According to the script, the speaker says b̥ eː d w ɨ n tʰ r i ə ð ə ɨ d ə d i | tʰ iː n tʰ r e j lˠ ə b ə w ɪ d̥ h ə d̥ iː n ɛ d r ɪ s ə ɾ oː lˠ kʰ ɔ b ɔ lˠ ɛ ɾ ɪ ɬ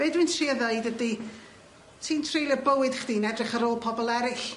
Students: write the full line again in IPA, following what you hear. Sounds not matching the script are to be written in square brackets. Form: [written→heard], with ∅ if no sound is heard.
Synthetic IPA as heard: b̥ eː d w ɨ n tʰ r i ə ð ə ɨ d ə d i | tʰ iː n tʰ r e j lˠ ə b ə w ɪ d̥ [h→χ] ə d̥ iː n ɛ d r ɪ [s→χ] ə ɾ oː lˠ [kʰ→pʰ] ɔ b ɔ lˠ ɛ ɾ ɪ ɬ